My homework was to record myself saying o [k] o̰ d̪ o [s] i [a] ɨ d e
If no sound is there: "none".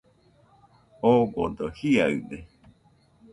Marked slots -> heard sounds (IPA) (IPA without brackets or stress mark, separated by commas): ɡ, h, a